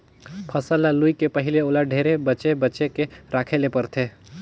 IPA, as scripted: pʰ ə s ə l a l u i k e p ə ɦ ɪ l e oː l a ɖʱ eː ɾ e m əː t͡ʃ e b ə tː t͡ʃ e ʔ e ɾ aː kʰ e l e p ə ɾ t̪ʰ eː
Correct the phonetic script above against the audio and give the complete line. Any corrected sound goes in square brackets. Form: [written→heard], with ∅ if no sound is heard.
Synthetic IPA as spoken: pʰ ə s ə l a l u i k e p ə ɦ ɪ l e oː l a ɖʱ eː ɾ e [m→b] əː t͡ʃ e b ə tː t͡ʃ e [ʔ→k] e ɾ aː kʰ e l e p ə ɾ t̪ʰ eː